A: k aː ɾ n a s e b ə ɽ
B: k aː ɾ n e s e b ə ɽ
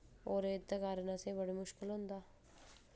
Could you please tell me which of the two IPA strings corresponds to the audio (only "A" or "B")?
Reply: A